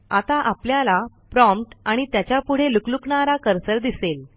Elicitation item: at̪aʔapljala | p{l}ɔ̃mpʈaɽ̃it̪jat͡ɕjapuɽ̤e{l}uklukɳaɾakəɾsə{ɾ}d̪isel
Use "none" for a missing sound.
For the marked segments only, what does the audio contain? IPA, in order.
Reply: ɾ, l, ɾ

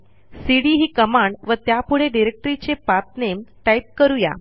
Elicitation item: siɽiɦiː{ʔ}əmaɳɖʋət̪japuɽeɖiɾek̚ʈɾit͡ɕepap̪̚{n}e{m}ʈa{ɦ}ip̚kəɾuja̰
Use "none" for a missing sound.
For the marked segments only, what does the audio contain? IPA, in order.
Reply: k, n, m, none

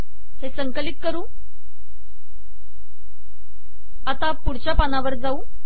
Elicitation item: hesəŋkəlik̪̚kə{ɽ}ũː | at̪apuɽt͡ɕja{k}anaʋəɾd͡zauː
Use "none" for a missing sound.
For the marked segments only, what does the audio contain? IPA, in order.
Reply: ɾ, p

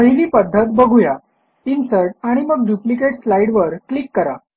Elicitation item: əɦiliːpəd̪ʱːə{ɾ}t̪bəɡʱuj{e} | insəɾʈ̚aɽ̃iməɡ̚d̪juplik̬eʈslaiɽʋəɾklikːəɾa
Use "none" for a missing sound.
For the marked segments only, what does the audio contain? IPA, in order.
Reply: none, a

